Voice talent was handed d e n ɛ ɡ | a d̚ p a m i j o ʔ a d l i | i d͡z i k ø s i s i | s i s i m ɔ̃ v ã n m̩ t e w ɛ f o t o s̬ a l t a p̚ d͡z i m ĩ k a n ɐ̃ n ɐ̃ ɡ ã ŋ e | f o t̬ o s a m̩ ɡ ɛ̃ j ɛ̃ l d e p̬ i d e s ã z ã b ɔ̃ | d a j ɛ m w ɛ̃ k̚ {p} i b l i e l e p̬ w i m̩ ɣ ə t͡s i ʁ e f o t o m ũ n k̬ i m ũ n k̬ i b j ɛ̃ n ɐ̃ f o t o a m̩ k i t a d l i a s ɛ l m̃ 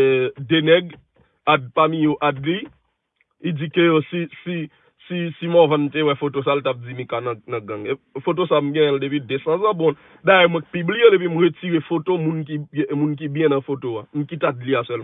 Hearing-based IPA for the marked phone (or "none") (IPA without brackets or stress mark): p